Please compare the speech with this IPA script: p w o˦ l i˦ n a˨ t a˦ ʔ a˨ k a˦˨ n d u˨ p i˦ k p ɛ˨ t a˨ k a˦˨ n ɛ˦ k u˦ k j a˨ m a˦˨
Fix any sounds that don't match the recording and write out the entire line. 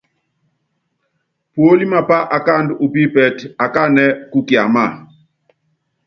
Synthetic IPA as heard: p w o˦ l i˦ m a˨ p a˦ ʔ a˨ k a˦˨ n d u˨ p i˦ p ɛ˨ t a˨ k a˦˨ n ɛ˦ k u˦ k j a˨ m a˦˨